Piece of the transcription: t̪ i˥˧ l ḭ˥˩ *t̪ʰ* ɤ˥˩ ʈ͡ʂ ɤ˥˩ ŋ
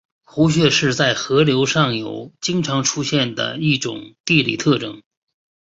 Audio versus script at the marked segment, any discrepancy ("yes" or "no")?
no